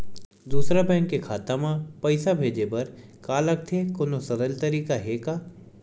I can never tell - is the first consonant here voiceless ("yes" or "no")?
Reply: no